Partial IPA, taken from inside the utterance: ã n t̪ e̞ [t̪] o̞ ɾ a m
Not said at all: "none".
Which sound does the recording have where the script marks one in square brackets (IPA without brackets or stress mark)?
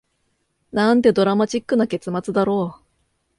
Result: d̪